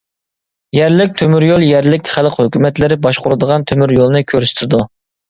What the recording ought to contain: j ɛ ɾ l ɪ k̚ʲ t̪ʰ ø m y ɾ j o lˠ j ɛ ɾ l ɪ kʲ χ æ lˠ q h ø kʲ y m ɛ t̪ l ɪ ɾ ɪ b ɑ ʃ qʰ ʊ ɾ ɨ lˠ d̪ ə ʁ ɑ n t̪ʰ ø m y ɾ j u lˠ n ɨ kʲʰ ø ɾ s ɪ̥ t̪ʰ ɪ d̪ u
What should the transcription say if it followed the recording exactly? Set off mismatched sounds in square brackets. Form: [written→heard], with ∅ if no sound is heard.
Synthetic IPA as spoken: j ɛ ɾ l ɪ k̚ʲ t̪ʰ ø m y ɾ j o lˠ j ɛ ɾ l ɪ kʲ χ æ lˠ q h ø kʲ y m ɛ t̪ l ɪ ɾ ɪ b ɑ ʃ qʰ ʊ ɾ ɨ [lˠ→∅] d̪ ə ʁ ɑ n t̪ʰ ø m y ɾ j [u→o] lˠ n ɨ kʲʰ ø ɾ s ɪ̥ t̪ʰ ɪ d̪ u